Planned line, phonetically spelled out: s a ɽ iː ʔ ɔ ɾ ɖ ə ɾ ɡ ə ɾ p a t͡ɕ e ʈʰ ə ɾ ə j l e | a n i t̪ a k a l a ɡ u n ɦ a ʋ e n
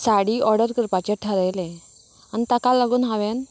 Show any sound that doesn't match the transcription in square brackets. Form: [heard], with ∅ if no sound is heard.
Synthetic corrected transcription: s a ɽ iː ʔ ɔ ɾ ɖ ə ɾ [k] ə ɾ p a t͡ɕ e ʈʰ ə ɾ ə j l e | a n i t̪ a k a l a ɡ [uː] n ɦ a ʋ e n